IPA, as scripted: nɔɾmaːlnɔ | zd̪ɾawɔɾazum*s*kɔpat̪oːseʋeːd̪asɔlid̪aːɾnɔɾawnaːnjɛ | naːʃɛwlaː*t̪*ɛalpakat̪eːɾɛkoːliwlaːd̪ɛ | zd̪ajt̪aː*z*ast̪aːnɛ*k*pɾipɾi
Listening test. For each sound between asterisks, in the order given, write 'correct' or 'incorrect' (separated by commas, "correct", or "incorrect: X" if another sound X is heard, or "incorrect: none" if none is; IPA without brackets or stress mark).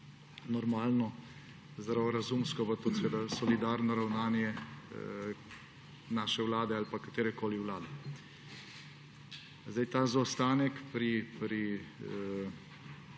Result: correct, incorrect: d̪, correct, correct